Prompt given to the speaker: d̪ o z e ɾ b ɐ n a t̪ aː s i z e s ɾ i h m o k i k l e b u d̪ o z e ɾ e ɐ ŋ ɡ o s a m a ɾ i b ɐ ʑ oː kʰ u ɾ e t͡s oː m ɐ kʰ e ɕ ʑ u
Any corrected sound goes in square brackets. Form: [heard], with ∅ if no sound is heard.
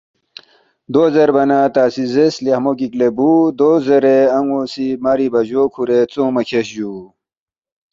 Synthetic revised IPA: d̪ o z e ɾ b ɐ n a t̪ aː s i z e s [l] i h m o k i k l e b u d̪ o z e ɾ e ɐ ŋ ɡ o s [i] m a ɾ i b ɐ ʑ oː kʰ u ɾ e t͡s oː m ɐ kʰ e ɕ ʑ u